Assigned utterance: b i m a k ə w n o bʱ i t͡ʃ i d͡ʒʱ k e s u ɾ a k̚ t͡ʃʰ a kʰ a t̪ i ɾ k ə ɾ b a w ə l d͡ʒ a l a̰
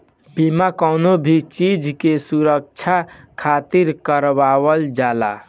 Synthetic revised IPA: b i m a k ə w n o bʱ i t͡ʃ i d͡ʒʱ k e s u ɾ ə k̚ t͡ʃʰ a kʰ a t̪ i ɾ k ə ɾ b a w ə l d͡ʒ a l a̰